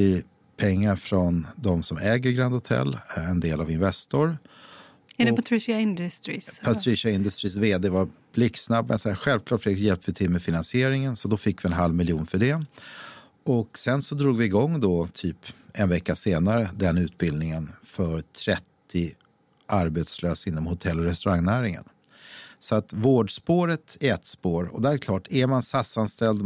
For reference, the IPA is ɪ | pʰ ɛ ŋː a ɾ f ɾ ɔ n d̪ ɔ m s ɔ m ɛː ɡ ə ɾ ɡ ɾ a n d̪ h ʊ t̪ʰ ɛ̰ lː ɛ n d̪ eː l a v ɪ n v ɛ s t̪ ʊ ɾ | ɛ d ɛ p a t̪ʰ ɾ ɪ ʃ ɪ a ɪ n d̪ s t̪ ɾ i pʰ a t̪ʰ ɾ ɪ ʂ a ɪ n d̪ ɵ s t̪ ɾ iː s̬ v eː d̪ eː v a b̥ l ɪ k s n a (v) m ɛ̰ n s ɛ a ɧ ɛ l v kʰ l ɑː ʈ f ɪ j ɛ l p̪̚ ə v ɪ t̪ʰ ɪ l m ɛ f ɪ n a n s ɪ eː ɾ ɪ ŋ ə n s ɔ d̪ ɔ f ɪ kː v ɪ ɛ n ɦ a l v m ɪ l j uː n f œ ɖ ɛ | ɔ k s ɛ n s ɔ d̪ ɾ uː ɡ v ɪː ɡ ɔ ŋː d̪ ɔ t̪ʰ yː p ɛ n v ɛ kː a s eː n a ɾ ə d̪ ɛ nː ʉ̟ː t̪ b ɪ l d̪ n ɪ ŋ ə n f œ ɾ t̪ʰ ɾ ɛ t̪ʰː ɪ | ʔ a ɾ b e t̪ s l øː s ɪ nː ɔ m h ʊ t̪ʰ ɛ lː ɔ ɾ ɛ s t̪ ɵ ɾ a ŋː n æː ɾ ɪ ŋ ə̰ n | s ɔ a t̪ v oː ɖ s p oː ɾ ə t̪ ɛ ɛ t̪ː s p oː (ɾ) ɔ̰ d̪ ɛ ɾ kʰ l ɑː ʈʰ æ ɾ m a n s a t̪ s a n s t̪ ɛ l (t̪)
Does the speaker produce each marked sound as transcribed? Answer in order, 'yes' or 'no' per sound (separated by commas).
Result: no, yes, no